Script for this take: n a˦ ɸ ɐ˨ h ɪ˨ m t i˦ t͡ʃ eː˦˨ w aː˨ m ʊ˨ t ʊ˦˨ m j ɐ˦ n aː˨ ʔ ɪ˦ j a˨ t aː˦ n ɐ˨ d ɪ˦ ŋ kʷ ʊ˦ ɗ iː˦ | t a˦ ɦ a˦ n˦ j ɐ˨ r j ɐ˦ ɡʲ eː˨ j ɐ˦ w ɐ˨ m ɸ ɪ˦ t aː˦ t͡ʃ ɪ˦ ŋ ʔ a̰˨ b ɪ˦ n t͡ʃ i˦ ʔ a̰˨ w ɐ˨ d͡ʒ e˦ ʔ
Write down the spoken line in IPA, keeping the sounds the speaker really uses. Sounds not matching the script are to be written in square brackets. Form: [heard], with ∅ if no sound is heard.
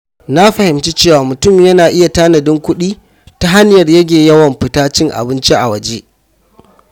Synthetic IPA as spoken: n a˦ ɸ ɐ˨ h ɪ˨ m [t͡ʃ] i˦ t͡ʃ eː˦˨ w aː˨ m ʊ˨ t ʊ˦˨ m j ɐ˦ n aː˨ ʔ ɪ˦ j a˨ t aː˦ n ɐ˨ d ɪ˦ ŋ kʷ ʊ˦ ɗ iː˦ | t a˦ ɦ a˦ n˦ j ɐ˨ r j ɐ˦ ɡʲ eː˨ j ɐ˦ w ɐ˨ m ɸ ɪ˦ t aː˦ t͡ʃ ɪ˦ ŋ ʔ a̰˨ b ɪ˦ n t͡ʃ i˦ ʔ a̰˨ w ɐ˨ d͡ʒ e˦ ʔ